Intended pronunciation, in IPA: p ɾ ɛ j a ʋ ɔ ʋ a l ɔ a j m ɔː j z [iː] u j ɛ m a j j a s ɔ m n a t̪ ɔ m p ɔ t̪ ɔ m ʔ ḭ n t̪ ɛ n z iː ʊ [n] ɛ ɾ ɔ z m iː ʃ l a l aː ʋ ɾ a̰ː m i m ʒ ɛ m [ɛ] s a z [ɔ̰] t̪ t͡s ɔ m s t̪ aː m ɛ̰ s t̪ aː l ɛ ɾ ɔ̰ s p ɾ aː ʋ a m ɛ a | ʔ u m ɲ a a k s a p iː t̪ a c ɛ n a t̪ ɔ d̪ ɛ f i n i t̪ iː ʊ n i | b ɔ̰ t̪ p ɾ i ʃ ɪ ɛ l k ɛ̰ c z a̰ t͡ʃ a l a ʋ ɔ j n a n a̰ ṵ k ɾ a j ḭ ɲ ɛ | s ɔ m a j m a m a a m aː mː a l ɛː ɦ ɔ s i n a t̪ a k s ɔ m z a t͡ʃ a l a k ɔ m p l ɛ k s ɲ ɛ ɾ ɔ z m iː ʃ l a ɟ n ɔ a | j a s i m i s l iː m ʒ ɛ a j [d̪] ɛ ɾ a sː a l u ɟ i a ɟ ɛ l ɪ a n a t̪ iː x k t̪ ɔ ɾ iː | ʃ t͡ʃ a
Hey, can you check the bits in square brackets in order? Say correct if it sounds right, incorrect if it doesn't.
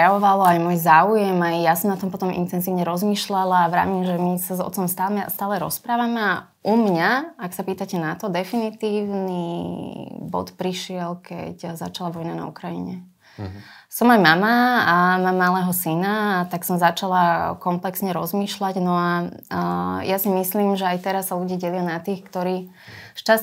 incorrect, incorrect, incorrect, correct, incorrect

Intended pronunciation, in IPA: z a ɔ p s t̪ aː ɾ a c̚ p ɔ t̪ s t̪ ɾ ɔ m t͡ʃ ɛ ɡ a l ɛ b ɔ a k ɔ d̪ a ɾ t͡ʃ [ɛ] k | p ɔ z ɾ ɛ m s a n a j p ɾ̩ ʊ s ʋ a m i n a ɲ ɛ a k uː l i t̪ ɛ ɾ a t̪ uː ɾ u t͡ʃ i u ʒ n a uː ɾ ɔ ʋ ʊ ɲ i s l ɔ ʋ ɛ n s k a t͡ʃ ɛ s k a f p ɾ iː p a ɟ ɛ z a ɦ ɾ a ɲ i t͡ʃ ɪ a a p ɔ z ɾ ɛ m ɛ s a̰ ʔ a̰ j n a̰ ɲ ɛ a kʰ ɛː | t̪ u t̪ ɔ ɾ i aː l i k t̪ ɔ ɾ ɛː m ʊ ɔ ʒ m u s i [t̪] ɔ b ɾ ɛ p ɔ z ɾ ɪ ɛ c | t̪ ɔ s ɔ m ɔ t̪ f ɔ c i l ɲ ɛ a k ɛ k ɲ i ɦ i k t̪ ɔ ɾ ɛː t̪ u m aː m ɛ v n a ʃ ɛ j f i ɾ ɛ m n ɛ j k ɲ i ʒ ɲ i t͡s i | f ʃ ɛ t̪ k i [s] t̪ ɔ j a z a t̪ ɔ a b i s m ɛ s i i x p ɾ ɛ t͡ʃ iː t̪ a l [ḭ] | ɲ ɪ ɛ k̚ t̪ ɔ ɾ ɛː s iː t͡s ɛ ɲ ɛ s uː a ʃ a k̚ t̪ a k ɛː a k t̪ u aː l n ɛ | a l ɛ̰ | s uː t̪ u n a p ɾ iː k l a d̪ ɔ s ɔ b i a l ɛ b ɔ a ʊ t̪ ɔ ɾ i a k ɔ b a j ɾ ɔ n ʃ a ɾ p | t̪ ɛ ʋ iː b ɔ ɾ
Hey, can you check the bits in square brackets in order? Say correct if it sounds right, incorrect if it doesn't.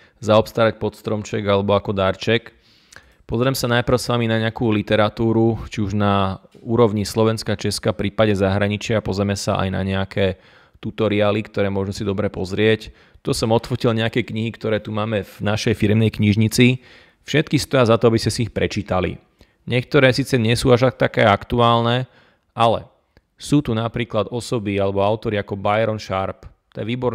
correct, incorrect, correct, correct

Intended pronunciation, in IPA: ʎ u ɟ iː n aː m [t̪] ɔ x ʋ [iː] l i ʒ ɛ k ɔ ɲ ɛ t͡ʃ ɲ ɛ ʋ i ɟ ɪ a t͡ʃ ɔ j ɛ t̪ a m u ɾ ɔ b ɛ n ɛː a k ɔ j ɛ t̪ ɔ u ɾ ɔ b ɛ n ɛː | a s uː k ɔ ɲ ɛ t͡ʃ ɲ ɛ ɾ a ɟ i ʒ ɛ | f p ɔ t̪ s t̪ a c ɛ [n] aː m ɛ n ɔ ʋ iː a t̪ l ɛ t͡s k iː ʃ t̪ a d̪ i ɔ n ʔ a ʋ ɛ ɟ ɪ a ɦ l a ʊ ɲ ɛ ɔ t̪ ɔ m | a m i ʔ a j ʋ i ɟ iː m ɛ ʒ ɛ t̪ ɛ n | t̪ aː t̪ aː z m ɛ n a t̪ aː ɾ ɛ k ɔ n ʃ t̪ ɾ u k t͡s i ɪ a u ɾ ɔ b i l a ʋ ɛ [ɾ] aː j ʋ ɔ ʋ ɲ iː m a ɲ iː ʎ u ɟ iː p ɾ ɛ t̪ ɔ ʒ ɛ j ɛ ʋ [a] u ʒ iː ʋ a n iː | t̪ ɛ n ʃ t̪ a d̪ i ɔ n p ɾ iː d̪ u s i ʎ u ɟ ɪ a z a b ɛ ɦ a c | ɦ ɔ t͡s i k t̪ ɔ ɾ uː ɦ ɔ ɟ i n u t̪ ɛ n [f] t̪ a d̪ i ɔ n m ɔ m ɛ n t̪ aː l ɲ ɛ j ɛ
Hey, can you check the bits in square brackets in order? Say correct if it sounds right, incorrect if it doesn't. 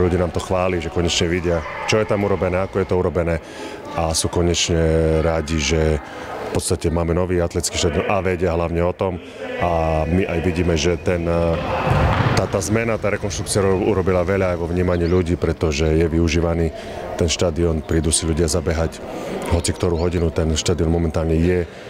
correct, incorrect, incorrect, incorrect, incorrect, incorrect

